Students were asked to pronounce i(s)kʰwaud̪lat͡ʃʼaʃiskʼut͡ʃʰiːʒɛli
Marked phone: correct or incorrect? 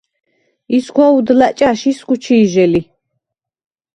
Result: correct